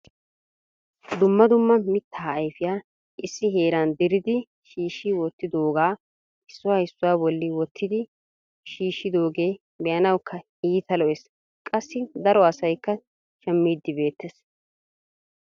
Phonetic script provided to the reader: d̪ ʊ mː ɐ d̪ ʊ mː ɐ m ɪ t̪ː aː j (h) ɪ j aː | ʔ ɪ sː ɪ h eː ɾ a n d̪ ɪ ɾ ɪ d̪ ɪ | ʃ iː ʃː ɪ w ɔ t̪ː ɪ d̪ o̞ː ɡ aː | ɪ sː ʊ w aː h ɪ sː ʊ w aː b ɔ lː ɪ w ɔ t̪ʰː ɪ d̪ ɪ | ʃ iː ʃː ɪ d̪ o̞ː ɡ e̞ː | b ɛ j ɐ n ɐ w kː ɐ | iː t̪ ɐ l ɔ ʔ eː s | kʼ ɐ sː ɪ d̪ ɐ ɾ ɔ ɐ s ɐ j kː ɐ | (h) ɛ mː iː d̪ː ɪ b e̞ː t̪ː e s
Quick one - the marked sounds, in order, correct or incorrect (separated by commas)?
incorrect, incorrect